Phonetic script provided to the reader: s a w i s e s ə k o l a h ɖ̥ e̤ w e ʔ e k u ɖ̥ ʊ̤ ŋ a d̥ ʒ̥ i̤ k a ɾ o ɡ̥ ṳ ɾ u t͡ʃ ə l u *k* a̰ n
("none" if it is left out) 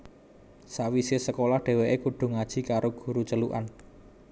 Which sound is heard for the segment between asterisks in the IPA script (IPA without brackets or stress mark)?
ʔ